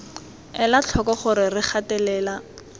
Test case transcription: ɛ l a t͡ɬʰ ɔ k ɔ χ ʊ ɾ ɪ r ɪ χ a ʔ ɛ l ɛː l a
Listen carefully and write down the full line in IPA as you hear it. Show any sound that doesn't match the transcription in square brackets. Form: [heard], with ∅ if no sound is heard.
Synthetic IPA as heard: ɛ l a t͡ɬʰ ɔ k ɔ χ ʊ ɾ ɪ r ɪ χ a [t] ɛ l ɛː l a